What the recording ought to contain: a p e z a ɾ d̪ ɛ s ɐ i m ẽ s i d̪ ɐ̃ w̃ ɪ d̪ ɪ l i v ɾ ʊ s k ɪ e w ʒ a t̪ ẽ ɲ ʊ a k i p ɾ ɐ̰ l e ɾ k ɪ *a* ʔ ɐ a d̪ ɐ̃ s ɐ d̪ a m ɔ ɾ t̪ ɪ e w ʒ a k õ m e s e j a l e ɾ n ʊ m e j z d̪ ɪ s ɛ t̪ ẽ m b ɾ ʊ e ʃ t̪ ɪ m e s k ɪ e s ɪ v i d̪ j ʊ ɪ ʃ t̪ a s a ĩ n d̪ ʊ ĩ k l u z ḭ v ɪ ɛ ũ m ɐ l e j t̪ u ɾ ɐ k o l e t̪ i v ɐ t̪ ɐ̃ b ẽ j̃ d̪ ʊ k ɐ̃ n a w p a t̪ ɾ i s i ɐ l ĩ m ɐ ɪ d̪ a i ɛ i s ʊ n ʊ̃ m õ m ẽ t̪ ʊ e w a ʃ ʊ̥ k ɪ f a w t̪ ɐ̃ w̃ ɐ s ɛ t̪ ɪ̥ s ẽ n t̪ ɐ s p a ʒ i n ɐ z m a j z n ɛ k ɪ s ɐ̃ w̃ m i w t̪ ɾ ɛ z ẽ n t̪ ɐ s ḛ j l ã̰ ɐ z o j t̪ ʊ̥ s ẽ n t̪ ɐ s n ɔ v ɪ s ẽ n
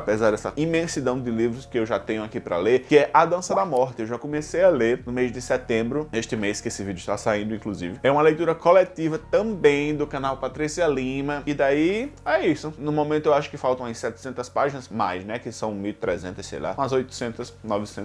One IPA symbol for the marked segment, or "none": ɛ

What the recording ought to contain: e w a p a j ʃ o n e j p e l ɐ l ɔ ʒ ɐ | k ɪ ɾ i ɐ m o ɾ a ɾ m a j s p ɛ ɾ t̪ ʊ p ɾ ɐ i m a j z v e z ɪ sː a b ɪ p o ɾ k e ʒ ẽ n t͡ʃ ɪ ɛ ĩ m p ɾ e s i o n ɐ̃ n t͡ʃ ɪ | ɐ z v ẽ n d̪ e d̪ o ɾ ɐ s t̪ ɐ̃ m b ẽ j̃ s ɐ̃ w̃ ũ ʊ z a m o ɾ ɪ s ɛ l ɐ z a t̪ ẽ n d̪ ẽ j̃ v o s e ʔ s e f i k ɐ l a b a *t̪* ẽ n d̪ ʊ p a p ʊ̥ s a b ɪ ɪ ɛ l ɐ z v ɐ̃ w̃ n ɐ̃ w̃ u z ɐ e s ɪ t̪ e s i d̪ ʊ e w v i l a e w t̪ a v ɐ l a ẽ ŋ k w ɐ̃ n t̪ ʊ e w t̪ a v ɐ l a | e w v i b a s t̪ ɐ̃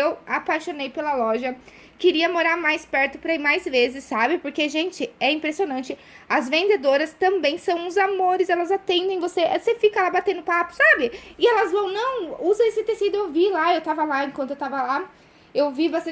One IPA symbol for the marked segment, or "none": t̪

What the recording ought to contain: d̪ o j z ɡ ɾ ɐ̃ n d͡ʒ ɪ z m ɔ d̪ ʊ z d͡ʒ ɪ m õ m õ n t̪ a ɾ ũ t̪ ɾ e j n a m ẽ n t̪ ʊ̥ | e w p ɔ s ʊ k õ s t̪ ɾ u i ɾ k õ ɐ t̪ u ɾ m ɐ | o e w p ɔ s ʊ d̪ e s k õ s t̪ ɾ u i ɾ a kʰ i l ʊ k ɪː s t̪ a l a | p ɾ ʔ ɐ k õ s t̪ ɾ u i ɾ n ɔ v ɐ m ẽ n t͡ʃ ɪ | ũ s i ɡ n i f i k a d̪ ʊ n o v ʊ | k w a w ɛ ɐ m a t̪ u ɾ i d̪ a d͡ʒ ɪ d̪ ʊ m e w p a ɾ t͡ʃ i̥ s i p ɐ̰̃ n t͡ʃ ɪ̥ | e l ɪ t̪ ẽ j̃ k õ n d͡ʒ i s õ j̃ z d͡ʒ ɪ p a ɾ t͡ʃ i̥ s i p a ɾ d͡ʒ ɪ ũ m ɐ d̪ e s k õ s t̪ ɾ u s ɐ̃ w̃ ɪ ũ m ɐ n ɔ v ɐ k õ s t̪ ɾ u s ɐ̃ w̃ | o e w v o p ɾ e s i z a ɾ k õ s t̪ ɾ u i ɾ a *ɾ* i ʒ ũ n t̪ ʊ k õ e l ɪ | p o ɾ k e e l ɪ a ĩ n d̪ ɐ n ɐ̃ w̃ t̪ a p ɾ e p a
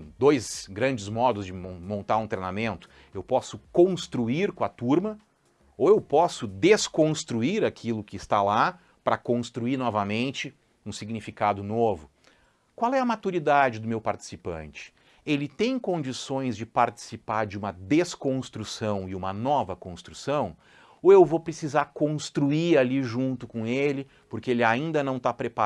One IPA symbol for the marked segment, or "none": l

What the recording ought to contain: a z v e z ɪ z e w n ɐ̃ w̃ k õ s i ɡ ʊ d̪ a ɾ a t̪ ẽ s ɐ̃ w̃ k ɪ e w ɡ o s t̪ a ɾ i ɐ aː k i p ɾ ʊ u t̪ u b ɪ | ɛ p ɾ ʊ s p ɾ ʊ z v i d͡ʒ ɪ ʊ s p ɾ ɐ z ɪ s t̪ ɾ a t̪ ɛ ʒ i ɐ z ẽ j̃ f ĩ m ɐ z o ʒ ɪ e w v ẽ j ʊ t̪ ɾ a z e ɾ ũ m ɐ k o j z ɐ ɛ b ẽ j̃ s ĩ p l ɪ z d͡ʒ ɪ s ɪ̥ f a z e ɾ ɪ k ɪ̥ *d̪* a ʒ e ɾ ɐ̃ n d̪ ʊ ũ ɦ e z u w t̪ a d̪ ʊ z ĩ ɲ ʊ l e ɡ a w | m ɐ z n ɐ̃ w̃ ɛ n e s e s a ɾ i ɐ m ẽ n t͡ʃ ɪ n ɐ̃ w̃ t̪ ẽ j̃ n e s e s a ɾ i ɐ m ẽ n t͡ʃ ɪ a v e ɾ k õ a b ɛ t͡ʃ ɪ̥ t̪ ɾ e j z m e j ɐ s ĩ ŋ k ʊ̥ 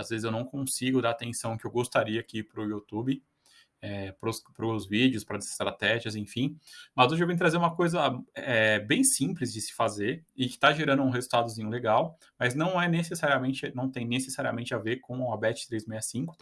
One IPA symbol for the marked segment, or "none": t̪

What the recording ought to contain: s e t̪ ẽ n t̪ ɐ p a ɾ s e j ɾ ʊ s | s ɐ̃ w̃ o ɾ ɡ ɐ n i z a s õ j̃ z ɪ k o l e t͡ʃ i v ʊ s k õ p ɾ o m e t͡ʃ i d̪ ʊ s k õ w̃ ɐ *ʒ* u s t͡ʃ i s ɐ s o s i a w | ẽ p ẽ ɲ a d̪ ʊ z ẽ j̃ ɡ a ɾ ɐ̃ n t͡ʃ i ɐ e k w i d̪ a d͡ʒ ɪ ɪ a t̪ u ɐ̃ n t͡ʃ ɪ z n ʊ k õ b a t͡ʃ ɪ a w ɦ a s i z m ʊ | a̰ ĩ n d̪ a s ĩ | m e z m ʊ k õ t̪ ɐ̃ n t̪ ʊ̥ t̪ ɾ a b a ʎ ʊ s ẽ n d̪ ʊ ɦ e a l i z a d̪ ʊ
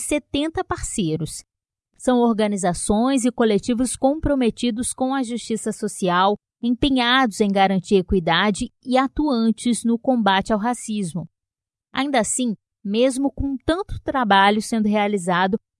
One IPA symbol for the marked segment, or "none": ʒ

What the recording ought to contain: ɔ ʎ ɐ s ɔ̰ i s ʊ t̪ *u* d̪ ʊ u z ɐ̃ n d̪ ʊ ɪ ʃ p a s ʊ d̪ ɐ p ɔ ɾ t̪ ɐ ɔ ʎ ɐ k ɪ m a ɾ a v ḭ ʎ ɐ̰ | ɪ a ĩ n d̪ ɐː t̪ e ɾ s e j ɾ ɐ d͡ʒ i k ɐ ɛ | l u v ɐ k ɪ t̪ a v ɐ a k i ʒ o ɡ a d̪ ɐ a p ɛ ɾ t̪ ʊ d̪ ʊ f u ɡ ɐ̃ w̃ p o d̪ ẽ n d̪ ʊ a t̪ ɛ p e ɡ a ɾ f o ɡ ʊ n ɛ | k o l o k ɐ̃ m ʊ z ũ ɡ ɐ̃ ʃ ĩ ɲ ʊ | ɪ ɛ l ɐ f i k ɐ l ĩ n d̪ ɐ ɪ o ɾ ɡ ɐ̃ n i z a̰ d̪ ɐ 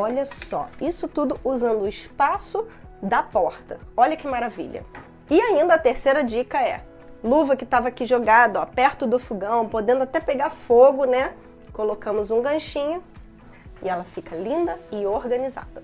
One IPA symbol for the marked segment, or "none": u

